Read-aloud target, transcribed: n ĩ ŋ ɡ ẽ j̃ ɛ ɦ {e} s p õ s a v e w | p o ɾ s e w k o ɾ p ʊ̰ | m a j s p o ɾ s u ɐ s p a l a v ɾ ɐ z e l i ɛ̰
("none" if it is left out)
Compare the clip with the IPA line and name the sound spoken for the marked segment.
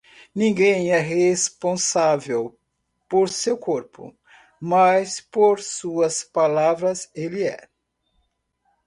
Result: e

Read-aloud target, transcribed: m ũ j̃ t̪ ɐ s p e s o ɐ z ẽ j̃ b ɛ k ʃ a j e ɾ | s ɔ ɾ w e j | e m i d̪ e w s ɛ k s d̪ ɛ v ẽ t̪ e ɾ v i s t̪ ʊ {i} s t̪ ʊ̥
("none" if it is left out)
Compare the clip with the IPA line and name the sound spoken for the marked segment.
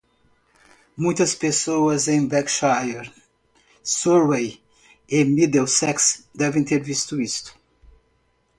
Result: i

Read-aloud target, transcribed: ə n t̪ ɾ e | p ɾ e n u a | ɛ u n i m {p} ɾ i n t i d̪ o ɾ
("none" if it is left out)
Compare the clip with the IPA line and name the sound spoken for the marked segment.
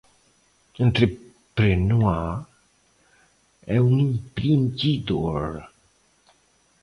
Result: p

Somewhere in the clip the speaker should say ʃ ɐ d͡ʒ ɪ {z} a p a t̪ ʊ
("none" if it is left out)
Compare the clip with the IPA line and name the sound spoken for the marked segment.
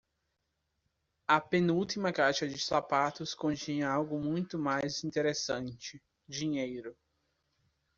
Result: s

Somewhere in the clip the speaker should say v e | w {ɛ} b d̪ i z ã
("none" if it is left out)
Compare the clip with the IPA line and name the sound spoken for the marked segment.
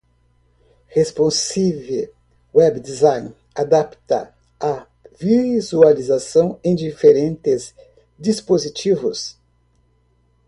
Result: ɛ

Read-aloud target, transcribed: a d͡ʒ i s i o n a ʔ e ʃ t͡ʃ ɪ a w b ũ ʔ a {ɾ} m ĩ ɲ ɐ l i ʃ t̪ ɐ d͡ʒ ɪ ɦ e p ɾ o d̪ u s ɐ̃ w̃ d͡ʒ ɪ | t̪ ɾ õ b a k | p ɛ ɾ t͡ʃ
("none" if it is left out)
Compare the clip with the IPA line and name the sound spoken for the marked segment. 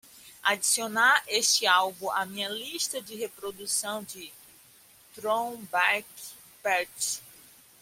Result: none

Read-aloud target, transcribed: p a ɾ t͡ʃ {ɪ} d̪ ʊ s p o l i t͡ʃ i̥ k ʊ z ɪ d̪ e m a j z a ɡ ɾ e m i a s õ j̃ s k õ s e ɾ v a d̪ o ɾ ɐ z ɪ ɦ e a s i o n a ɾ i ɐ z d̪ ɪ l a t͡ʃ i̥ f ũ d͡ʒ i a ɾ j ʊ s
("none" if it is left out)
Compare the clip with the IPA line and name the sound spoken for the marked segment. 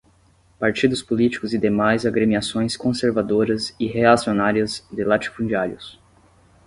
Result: i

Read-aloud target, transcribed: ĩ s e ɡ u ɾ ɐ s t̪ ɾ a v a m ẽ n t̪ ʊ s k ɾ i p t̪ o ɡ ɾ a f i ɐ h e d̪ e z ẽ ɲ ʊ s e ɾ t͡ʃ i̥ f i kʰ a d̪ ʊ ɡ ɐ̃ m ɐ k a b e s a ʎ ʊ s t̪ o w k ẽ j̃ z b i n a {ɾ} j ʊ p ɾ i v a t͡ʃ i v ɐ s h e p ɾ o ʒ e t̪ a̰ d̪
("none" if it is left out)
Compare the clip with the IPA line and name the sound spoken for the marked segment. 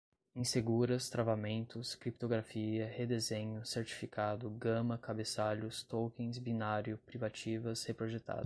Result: ɾ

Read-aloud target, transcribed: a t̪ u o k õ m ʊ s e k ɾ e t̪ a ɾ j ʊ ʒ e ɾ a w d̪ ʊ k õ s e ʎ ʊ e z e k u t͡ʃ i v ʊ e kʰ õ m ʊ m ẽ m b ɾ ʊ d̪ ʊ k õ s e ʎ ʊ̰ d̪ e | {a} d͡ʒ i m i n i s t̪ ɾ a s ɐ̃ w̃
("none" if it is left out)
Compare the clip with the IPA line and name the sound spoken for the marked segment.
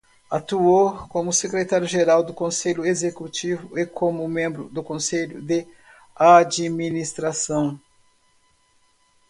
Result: a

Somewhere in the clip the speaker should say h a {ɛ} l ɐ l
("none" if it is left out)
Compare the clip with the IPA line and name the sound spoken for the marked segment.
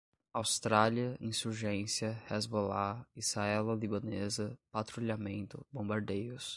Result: ɛ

